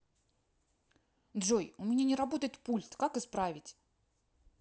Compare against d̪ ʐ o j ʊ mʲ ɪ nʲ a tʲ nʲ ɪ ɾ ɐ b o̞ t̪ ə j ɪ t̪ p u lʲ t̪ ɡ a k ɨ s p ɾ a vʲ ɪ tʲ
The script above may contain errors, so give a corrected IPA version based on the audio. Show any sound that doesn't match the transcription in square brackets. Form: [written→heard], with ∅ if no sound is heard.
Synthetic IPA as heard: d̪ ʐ o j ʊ mʲ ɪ nʲ a [tʲ→∅] nʲ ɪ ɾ ɐ b o̞ t̪ ə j ɪ t̪ p u lʲ t̪ [ɡ→k] a k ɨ s p ɾ a vʲ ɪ tʲ